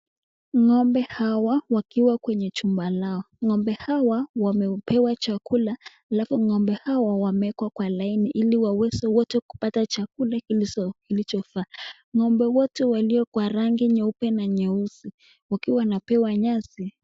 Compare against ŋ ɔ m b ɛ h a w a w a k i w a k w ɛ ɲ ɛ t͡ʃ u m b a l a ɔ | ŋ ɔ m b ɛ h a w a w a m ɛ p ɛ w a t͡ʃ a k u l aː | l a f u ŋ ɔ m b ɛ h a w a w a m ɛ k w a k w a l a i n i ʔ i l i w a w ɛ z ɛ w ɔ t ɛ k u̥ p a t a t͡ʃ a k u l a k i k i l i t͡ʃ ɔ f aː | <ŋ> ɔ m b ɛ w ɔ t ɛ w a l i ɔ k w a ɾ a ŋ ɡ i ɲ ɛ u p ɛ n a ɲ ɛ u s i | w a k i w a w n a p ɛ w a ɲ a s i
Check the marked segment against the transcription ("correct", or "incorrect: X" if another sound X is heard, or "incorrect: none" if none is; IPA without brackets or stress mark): correct